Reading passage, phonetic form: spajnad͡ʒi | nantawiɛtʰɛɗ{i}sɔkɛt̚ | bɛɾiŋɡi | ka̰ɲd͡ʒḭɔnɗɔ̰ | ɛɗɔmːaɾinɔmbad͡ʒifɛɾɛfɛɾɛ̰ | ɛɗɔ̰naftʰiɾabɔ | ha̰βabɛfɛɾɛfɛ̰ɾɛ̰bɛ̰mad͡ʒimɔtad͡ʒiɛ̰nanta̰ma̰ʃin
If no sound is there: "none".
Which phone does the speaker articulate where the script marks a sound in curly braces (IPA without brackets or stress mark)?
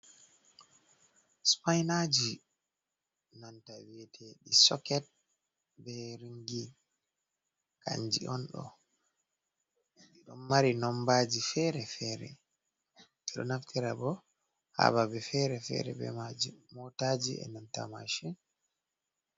i